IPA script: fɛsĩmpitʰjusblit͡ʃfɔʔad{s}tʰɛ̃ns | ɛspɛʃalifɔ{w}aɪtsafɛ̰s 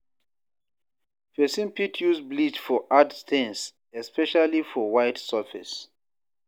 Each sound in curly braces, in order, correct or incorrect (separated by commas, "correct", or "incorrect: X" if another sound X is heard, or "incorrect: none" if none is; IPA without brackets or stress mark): correct, correct